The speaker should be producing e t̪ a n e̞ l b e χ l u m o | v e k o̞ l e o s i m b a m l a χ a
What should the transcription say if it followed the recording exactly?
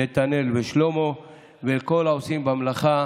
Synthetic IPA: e t̪ a n e̞ l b e ʃ l o m o | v e k o̞ l a o s i m b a m l a χ a